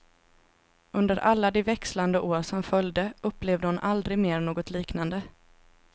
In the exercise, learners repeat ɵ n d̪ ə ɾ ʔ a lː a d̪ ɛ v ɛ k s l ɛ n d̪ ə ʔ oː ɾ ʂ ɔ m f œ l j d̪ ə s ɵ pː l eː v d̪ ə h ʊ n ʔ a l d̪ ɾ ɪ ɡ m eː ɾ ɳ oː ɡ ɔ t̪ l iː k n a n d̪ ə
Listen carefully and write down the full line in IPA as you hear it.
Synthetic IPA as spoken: ɵ n d̪ ə ɾ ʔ a lː a d̪ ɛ v ɛ k s l a n d̪ ə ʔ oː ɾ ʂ ɔ m f œ l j d̪ ə ɵ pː l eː v d̪ ə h ʊ n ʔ a l d̪ ɾ ɪ ɡ m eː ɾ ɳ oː ɡ ɔ t̪ l iː k n a n d̪ ə